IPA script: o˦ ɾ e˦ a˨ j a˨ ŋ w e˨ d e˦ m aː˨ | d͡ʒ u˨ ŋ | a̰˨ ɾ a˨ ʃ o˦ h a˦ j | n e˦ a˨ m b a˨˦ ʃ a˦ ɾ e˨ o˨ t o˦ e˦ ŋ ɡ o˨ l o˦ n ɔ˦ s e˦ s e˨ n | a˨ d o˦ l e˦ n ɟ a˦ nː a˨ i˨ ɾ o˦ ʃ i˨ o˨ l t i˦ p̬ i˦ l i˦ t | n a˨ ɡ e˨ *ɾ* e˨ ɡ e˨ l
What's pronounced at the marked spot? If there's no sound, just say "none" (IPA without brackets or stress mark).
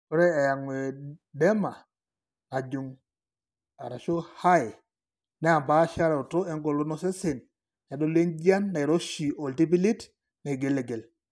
l